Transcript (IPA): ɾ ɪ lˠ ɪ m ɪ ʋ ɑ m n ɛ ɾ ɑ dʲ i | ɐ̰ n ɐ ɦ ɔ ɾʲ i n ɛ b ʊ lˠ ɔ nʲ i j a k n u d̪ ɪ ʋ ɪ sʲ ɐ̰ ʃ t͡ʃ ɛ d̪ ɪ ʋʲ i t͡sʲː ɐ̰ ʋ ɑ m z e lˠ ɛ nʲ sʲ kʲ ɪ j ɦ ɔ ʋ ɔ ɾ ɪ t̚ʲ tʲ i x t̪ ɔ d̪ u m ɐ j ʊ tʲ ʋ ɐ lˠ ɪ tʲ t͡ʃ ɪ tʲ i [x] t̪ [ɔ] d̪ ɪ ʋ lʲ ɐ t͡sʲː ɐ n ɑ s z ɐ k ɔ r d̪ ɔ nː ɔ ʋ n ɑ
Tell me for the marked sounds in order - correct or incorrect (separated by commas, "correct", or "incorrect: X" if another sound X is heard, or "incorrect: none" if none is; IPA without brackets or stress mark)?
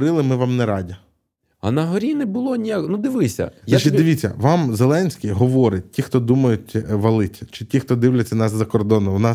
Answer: correct, correct